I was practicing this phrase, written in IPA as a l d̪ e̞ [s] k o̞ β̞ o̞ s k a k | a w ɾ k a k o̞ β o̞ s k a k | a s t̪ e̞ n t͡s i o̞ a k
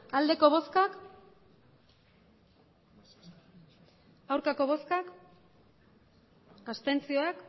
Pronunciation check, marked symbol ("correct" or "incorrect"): incorrect